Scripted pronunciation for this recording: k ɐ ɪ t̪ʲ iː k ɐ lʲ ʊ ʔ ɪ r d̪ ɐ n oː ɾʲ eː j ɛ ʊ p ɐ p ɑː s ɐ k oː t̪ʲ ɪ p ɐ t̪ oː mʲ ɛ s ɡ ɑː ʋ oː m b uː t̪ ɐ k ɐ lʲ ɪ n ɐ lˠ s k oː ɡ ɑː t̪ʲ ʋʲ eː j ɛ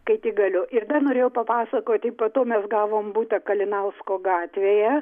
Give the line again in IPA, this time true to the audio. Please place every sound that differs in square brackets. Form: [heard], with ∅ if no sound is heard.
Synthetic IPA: k ɐ ɪ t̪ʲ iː [ɡ] ɐ lʲ ʊ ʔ ɪ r d̪ ɐ n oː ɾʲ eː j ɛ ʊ p ɐ p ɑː s ɐ k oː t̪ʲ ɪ p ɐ t̪ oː mʲ ɛ s ɡ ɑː ʋ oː m b uː t̪ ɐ k ɐ lʲ ɪ n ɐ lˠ s k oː ɡ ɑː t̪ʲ ʋʲ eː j ɛ